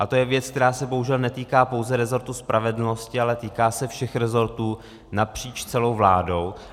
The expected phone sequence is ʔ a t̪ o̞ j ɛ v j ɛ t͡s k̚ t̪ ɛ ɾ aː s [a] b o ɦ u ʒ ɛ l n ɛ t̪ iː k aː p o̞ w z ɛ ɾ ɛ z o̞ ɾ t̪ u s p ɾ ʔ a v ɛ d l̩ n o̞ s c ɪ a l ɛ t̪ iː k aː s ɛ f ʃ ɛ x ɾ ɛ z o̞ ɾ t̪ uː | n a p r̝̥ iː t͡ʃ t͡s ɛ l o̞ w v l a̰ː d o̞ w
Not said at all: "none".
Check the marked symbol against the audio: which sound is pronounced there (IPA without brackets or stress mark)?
ɛ